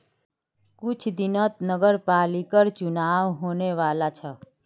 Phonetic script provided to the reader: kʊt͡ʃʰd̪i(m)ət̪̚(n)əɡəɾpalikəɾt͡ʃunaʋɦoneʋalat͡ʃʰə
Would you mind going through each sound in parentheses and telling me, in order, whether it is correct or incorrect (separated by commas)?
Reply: incorrect, correct